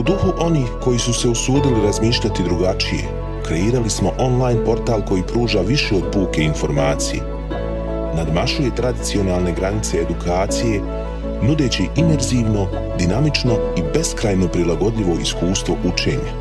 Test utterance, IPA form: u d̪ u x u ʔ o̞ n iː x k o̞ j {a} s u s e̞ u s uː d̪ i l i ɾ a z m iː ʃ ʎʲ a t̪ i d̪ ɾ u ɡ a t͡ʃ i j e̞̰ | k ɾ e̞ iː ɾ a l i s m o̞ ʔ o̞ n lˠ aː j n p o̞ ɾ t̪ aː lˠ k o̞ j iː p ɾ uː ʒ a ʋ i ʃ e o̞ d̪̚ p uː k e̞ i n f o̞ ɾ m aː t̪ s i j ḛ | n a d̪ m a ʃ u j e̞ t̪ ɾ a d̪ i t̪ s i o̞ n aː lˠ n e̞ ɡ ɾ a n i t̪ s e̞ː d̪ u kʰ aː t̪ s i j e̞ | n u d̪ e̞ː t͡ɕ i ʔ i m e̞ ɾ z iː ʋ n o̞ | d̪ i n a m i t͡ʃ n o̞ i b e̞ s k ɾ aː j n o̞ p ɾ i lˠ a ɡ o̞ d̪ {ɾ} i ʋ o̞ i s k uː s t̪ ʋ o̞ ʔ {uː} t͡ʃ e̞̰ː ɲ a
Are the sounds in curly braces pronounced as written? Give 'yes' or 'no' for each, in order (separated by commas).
no, no, no